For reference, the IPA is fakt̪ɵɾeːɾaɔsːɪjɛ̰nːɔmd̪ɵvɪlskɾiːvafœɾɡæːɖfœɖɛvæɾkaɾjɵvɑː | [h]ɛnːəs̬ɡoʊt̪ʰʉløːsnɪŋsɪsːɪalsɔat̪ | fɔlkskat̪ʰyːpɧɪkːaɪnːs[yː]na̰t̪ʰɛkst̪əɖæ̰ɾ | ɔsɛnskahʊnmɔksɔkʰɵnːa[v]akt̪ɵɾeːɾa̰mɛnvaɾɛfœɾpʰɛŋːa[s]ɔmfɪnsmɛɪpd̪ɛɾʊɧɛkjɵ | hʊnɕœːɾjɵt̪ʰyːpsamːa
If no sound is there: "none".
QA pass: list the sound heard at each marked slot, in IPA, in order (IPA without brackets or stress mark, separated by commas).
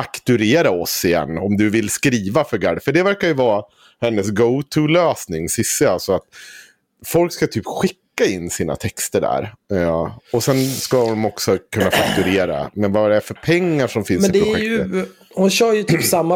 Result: h, iː, f, ʂ